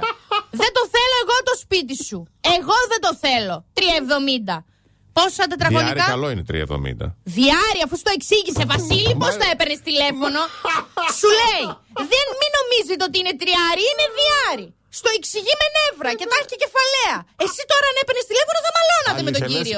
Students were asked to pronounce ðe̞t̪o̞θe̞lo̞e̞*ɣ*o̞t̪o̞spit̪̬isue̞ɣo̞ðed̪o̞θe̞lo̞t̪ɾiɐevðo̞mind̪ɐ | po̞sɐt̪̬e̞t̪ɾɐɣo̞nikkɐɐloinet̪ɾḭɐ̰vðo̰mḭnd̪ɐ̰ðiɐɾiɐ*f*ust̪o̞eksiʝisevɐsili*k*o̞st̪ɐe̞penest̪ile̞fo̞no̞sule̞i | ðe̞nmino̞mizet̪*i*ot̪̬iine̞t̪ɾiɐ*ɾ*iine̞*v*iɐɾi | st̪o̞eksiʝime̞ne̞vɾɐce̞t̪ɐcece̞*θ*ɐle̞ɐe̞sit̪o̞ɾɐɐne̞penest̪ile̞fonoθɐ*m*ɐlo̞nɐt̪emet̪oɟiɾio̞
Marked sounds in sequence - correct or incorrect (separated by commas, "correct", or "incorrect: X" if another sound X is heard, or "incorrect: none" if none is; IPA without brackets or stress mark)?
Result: correct, correct, incorrect: p, incorrect: e, correct, incorrect: ð, incorrect: f, correct